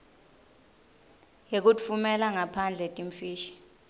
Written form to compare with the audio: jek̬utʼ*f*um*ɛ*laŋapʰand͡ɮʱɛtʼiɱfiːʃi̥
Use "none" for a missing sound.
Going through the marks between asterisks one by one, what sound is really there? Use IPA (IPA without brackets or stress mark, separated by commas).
f, ɛ